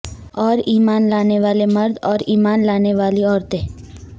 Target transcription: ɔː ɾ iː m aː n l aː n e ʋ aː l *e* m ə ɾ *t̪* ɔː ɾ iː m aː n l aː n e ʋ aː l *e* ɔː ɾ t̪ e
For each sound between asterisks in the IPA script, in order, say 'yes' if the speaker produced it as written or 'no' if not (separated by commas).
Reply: yes, no, no